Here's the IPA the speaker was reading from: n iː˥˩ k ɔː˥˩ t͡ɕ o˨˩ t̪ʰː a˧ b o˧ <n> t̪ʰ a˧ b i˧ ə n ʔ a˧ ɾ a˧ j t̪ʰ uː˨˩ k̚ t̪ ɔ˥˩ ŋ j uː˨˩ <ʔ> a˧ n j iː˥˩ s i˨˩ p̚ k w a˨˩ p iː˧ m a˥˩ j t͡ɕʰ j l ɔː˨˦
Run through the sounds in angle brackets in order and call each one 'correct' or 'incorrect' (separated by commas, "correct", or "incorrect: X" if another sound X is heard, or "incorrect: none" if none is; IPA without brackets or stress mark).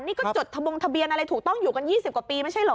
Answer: incorrect: ŋ, incorrect: k